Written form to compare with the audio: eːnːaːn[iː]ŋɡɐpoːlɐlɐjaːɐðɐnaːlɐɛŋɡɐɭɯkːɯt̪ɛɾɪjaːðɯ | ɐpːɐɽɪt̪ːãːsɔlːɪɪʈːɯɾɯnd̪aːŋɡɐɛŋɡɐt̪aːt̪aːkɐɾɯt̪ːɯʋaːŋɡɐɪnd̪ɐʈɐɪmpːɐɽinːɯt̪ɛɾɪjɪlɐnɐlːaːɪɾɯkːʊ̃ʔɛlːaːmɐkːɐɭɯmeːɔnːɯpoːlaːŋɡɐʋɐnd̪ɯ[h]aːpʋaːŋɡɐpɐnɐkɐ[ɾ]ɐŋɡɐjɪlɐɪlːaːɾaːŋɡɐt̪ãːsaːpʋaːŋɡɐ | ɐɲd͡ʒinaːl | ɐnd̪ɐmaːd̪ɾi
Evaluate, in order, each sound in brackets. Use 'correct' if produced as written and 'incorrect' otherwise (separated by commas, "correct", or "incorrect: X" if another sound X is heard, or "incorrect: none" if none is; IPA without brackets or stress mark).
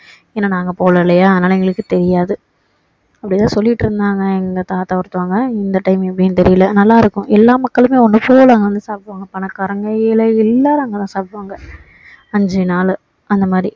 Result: incorrect: aː, incorrect: s, correct